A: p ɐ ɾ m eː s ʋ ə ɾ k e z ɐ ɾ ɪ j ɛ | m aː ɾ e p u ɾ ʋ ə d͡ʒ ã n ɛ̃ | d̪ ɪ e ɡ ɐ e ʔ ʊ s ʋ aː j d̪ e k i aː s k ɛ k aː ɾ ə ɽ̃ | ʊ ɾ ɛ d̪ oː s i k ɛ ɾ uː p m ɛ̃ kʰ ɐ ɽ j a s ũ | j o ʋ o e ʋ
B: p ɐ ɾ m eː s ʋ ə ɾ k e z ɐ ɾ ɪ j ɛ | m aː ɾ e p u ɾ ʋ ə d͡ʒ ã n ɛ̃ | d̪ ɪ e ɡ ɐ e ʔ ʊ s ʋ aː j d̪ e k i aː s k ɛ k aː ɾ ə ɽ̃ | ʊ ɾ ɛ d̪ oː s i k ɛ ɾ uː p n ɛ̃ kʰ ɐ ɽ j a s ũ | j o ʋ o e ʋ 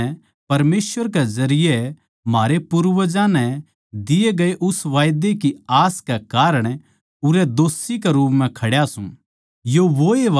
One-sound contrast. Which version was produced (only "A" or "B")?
A